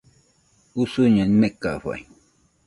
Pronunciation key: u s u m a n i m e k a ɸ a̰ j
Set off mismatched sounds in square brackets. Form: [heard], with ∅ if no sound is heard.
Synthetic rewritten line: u s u [ɲ] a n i m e k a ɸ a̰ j

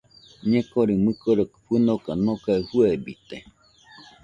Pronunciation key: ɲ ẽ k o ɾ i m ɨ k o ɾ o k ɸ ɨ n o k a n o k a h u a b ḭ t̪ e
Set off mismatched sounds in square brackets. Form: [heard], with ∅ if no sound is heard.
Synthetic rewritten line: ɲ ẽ k o ɾ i m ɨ k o ɾ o k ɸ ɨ n o k a n o k a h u [e] b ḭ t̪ e

